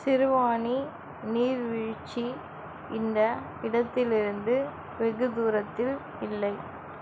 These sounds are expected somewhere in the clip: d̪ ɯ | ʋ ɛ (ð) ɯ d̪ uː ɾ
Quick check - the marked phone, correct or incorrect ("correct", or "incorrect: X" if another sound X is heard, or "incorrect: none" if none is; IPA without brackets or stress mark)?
incorrect: ɣ